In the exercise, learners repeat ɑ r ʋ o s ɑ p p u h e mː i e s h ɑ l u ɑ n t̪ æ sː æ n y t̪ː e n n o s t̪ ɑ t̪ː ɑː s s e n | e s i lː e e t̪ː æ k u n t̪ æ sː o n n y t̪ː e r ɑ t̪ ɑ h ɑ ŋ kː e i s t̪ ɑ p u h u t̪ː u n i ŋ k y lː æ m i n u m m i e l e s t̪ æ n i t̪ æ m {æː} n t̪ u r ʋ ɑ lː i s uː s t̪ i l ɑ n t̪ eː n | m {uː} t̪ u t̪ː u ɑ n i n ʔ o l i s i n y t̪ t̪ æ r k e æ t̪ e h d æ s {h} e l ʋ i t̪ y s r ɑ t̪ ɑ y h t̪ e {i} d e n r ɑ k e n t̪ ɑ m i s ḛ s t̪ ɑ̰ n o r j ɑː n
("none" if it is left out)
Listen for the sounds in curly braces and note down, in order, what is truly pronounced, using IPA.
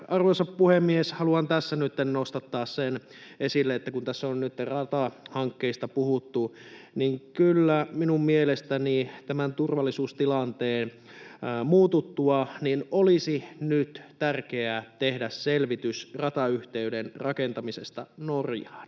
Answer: æ, uː, s, y

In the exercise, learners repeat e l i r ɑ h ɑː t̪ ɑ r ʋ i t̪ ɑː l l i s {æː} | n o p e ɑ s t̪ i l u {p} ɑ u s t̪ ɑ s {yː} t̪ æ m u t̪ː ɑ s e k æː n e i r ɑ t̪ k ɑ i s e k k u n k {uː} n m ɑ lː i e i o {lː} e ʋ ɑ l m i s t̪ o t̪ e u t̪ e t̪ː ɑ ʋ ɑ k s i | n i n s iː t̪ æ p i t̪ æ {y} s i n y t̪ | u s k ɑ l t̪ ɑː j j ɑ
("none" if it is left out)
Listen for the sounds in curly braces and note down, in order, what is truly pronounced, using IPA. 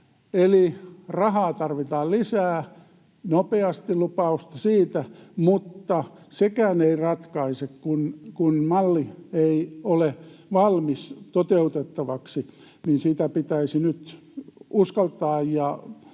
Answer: æː, p, iː, u, l, i

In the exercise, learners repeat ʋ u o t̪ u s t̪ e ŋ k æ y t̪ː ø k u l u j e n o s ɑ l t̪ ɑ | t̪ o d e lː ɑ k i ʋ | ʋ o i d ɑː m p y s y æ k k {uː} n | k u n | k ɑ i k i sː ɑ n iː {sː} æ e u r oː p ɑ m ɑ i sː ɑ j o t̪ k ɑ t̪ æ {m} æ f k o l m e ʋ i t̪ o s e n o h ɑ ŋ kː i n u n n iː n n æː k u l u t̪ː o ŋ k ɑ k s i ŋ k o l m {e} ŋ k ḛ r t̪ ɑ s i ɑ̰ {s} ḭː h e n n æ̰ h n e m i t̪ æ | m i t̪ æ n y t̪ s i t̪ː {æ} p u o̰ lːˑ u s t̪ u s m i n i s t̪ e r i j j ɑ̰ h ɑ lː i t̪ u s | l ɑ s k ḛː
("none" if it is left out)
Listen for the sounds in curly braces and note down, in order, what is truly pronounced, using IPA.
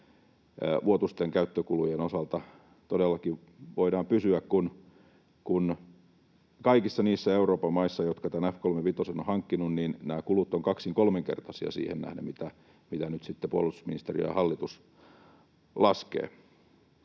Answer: u, sː, n, e, s, e

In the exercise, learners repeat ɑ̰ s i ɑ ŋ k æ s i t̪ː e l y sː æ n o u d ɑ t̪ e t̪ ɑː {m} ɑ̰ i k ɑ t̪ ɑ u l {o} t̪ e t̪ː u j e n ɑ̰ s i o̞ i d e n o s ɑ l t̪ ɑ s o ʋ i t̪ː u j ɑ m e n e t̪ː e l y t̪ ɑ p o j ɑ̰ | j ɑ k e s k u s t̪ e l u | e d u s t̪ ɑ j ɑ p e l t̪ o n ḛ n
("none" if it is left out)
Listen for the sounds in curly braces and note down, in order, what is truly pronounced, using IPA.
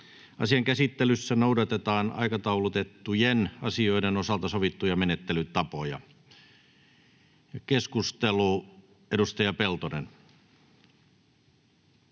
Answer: n, u

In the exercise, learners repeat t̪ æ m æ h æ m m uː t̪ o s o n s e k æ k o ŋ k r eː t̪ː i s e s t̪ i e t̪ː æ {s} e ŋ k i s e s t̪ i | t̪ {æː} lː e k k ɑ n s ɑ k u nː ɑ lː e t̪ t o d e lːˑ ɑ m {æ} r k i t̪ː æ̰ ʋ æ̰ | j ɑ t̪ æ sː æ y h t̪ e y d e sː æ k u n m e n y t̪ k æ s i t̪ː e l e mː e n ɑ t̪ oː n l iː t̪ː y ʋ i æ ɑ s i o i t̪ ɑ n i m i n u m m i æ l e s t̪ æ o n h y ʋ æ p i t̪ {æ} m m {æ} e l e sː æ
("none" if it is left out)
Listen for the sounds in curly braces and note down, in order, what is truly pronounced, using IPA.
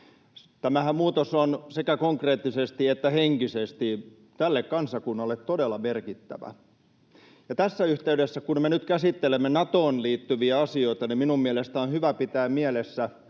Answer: h, æ, e, æː, i

